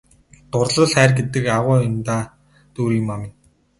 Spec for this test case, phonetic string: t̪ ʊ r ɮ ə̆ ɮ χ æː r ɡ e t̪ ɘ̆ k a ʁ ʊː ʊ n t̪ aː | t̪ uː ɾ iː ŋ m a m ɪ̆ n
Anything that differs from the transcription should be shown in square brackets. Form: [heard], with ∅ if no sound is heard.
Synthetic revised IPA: t̪ ʊ r ɮ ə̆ ɮ χ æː r ɡ e t̪ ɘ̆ k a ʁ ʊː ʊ n t̪ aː | t̪ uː ɾ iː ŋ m a m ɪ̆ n